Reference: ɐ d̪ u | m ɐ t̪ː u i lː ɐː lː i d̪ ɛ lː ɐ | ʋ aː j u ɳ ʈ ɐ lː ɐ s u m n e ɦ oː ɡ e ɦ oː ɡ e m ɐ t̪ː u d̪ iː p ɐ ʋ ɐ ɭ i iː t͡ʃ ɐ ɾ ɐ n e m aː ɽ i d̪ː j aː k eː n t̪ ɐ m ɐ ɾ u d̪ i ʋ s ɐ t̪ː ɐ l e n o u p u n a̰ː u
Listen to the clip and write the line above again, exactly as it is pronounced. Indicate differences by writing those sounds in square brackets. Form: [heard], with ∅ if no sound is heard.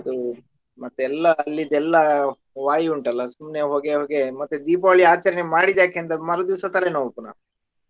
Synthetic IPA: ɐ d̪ u | m ɐ t̪ː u [ɛ] lː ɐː lː i d̪ ɛ lː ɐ | ʋ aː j u ɳ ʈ ɐ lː ɐ s u m n e ɦ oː ɡ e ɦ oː ɡ e m ɐ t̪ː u d̪ iː p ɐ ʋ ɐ ɭ i [aː] t͡ʃ ɐ ɾ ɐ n e m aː ɽ i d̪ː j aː k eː n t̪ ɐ m ɐ ɾ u d̪ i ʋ s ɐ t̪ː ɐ l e n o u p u n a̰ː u